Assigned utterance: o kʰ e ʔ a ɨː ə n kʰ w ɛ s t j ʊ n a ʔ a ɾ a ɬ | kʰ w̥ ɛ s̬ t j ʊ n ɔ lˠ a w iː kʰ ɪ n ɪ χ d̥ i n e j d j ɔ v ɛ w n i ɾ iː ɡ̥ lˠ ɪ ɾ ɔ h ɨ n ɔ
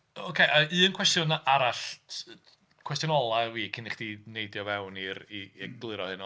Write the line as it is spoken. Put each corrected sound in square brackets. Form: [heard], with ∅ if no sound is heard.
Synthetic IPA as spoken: o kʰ e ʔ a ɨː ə n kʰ w ɛ s t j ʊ n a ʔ a ɾ a ɬ | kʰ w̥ ɛ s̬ t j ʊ n ɔ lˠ a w iː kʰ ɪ n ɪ χ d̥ i n e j d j ɔ v ɛ w n i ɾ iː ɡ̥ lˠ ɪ ɾ ɔ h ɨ n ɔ